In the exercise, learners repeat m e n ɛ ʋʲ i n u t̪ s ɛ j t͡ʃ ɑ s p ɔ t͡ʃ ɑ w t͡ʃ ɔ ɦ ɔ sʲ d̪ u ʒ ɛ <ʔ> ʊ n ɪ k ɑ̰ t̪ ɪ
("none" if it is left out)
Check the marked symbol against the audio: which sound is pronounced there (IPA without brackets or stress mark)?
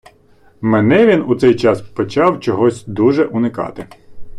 ʔ